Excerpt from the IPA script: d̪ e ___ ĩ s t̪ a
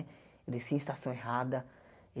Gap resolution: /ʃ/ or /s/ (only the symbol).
s